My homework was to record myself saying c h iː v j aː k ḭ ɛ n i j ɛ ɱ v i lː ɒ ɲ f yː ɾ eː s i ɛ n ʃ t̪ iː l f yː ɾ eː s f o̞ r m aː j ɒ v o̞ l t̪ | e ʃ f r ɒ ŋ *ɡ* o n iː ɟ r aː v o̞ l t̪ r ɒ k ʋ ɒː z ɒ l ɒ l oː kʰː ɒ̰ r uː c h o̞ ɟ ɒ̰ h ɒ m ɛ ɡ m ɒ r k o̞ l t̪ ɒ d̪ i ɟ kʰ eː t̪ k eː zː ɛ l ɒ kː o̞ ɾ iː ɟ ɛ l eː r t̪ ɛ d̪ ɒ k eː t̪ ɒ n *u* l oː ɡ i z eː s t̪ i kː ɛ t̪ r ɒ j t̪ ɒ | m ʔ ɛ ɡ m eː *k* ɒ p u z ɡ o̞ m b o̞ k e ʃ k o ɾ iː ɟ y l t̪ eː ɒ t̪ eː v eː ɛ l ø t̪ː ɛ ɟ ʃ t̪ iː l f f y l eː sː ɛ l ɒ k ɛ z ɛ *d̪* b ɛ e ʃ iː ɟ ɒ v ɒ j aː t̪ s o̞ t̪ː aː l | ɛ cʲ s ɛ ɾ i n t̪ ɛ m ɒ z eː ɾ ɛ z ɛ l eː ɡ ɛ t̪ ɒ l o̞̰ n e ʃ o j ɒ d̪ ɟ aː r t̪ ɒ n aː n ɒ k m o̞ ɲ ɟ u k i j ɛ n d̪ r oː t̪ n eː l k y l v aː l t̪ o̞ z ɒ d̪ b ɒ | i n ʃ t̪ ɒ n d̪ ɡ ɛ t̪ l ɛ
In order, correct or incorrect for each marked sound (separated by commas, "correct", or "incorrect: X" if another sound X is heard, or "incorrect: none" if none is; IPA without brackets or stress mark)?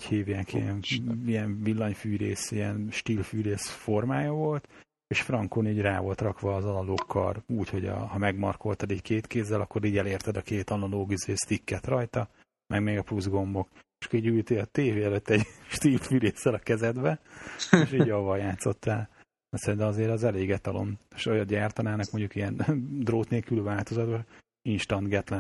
incorrect: k, incorrect: ɒ, incorrect: ɡ, correct